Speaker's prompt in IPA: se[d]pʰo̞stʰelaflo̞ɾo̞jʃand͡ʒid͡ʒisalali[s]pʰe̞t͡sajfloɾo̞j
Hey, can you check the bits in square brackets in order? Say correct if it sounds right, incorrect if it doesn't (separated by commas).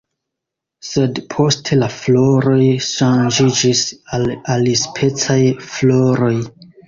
correct, correct